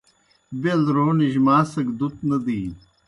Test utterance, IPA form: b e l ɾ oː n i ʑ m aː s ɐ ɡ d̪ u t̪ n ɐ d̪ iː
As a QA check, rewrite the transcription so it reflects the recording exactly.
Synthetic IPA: b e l ɾ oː n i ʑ m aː s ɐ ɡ d̪ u t̪ n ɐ d̪ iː